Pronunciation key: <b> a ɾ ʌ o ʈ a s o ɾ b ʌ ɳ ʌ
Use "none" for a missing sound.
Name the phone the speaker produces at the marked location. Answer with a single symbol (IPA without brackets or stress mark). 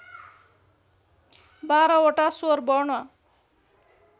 b